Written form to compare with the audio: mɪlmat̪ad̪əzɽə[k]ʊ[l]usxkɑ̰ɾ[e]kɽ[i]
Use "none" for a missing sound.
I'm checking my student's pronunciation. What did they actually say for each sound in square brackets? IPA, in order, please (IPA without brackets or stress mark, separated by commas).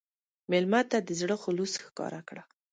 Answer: x, l, a, a